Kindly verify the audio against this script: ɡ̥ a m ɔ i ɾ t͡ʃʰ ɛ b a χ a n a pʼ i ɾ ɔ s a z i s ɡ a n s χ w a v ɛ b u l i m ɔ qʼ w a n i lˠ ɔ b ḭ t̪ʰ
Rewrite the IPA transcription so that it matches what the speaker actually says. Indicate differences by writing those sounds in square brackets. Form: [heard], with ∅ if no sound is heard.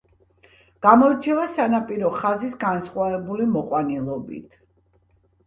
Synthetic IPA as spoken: ɡ̥ a m ɔ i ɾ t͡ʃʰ ɛ [v] a [s] a n a pʼ i ɾ ɔ [χ] a z i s ɡ a n s χ w a v ɛ b u l i m ɔ qʼ w a n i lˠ ɔ b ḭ t̪ʰ